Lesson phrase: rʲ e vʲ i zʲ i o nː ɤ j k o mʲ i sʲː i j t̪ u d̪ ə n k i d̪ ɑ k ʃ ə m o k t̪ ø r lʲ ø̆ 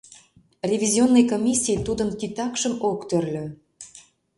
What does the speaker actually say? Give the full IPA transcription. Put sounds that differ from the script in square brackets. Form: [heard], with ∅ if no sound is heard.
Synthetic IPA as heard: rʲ e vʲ i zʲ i o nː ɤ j k o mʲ i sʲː i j t̪ u d̪ ə n k i [t̪] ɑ k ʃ ə m o k t̪ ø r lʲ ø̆

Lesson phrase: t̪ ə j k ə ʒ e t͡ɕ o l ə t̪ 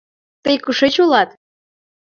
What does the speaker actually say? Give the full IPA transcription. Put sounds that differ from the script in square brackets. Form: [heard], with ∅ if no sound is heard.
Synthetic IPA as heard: t̪ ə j k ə [ʃ] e t͡ɕ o l [ɑ] t̪

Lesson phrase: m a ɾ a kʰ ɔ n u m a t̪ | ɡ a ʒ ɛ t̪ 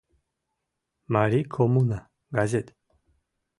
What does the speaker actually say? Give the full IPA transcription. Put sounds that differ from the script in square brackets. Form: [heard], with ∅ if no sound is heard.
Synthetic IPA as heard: m a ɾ [i] kʰ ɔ [m] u [n] a [∅] | ɡ a [z] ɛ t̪

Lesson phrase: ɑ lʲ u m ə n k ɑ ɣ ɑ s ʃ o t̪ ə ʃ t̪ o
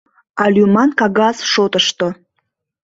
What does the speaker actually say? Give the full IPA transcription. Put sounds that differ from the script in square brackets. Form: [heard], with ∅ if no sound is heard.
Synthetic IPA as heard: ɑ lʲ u m [ɑ] n k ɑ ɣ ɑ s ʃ o t̪ ə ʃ t̪ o

